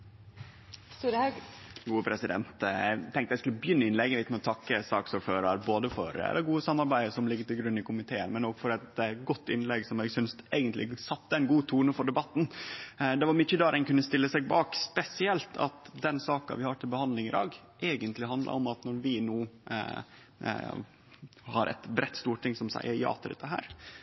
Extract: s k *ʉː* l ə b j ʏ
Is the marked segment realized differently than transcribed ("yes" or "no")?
yes